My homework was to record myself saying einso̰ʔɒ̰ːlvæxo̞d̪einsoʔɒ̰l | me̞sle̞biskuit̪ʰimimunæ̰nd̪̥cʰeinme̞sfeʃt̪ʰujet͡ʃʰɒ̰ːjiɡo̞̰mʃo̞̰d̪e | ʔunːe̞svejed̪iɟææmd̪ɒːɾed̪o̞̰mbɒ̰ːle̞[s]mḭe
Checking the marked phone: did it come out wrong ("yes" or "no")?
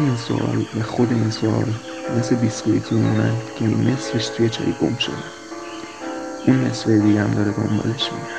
yes